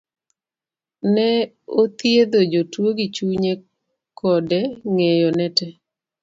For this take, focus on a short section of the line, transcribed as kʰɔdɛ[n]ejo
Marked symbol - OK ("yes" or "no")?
no